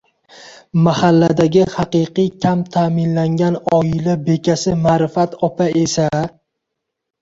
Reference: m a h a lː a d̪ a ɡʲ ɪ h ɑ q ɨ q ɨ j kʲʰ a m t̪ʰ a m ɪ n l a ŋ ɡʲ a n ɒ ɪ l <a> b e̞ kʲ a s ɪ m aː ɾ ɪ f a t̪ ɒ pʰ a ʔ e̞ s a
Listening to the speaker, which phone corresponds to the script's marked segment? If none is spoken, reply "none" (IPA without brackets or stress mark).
a